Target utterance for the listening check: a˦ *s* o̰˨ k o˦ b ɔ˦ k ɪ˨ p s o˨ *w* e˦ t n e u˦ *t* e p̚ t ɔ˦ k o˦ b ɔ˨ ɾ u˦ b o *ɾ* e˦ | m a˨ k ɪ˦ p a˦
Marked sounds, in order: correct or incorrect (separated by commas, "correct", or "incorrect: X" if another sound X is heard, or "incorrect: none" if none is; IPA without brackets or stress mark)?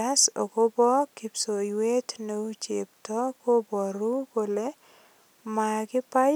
correct, correct, incorrect: t͡ʃ, incorrect: l